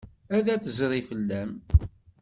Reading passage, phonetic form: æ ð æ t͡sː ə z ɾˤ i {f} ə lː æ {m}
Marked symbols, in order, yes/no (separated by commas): yes, yes